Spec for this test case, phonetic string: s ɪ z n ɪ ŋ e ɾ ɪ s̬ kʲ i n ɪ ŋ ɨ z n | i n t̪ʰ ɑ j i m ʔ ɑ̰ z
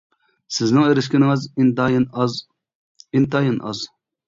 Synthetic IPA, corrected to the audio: s ɪ z n ɪ ŋ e ɾ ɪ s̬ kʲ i n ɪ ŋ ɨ z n | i n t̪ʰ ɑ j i n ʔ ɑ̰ z